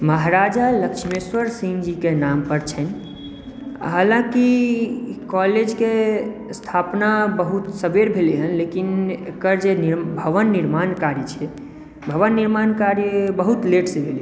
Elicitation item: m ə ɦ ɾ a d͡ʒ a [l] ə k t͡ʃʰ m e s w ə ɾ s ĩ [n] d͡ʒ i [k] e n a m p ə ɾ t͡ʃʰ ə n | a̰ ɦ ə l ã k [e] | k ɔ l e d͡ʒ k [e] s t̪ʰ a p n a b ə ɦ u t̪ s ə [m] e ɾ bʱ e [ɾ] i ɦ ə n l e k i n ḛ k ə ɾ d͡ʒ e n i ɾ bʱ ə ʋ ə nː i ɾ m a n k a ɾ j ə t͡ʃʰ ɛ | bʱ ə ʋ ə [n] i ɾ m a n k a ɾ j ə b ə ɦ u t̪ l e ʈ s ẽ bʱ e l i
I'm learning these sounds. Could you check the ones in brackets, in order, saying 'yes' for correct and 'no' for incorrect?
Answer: yes, no, yes, no, yes, no, no, no

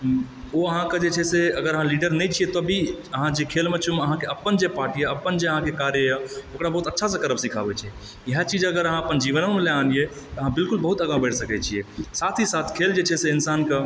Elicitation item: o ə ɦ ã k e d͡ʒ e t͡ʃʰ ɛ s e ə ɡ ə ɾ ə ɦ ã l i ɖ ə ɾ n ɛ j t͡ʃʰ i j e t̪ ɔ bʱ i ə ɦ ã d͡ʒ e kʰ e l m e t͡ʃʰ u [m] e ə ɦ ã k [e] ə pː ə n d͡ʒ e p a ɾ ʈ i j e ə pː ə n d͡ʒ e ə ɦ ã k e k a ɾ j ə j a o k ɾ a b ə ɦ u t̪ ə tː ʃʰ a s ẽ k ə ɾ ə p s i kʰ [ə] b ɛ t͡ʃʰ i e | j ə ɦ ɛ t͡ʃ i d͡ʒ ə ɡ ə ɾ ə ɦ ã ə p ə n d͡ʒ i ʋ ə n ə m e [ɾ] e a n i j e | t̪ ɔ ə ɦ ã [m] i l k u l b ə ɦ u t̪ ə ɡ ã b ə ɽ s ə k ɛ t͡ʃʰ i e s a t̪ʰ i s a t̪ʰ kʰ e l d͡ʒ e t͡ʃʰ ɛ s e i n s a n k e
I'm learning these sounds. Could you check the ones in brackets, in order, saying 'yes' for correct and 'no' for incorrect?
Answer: yes, yes, no, no, no

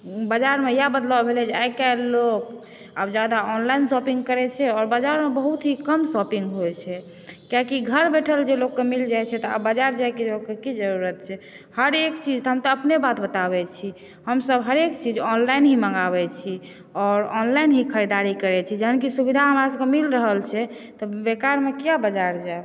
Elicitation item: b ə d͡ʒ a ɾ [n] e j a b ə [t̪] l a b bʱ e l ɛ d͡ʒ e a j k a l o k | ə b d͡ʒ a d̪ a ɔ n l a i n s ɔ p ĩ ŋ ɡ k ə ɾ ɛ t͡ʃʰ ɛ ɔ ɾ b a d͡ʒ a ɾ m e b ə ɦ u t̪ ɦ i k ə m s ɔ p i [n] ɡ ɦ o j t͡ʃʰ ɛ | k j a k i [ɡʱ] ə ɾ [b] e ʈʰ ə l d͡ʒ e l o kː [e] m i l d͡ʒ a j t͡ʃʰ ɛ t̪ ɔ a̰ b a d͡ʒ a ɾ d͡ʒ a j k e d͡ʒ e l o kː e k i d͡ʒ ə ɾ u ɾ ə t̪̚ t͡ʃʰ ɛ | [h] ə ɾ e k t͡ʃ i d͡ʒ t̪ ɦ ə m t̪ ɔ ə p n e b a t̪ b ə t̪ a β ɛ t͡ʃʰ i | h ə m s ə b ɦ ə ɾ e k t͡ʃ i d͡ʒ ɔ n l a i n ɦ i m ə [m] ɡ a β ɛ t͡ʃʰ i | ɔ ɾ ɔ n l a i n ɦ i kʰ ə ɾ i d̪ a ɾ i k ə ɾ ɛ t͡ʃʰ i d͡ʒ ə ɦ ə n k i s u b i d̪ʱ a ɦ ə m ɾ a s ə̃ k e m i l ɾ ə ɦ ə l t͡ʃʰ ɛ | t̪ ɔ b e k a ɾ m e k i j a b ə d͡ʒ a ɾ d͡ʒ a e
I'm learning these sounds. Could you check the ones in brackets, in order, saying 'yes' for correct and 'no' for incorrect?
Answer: no, no, no, yes, yes, yes, yes, no

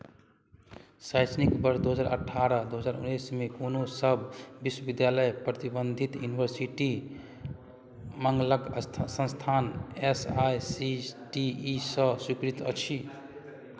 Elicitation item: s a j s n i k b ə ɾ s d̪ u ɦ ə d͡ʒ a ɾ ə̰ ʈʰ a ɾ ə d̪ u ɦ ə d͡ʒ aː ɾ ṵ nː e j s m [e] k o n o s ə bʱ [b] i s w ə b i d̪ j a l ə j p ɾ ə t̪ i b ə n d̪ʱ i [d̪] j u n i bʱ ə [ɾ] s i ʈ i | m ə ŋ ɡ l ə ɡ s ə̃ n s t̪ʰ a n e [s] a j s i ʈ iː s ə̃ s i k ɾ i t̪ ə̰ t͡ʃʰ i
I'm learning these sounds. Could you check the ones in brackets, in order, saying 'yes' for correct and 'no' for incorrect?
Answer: yes, yes, no, yes, yes

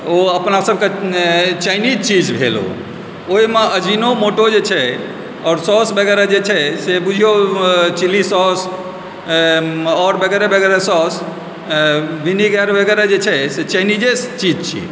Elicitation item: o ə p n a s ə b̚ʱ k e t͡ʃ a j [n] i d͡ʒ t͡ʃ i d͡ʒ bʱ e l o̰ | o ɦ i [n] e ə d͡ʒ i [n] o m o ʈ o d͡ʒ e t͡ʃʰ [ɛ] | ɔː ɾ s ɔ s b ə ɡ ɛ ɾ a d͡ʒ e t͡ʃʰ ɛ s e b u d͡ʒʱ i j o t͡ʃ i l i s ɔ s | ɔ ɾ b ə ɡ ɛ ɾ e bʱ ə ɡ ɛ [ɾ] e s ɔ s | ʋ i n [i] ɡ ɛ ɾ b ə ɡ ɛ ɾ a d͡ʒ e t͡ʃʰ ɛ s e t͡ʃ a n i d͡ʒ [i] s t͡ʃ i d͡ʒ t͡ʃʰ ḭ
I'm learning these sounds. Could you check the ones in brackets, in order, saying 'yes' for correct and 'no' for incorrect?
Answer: yes, no, yes, yes, yes, yes, no

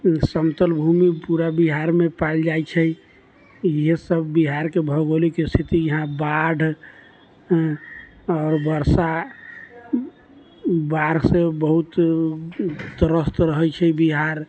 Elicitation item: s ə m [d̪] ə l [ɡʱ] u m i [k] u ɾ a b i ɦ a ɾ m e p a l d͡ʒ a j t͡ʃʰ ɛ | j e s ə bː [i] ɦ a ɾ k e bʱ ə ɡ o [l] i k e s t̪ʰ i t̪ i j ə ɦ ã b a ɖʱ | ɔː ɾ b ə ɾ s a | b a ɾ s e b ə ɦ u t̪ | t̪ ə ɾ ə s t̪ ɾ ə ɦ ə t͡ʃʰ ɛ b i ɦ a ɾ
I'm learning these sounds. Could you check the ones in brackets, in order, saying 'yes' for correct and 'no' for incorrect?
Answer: no, no, no, yes, yes

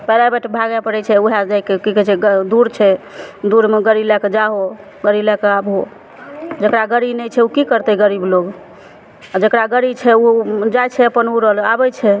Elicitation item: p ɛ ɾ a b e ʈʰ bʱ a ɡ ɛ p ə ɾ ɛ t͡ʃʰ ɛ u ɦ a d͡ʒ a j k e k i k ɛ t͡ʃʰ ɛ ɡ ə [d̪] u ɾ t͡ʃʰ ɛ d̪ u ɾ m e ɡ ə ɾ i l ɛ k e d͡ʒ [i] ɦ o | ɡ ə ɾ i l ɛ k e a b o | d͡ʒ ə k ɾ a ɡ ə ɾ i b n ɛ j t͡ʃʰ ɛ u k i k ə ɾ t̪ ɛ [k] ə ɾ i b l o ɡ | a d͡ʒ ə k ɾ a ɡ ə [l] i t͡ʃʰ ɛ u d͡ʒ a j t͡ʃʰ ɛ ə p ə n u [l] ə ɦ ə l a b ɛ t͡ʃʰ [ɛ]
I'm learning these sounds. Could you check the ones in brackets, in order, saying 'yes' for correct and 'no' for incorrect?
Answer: yes, no, no, no, no, yes

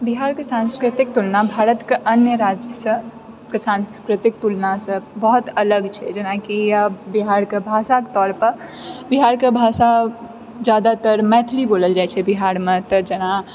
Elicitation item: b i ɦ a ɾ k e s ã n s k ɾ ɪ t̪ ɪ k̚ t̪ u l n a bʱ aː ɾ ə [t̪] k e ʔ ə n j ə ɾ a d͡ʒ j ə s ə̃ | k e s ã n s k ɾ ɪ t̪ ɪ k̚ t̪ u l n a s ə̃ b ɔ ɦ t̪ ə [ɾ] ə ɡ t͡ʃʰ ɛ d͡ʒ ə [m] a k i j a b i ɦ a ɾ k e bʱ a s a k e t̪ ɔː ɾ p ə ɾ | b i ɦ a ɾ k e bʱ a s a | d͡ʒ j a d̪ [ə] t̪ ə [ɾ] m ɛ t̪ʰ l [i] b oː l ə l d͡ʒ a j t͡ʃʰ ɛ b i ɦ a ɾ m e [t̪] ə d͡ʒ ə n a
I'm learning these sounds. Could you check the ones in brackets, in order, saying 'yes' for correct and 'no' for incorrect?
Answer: yes, no, no, no, yes, yes, yes

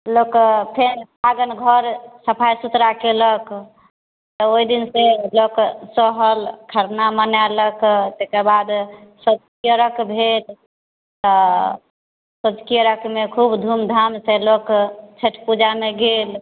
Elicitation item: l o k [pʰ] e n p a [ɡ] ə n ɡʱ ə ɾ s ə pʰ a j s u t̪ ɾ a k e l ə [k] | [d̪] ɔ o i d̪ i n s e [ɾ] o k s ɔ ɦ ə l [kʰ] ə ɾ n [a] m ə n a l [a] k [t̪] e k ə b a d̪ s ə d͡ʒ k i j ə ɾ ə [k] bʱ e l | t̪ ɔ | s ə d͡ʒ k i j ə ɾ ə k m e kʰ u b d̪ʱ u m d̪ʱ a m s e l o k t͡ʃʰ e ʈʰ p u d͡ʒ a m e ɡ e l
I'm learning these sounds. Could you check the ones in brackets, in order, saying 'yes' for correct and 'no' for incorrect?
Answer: yes, yes, yes, no, no, yes, yes, no, yes, yes

